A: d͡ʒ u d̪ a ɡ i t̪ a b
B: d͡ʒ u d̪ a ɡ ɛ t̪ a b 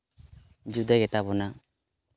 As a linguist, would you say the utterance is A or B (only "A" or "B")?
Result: B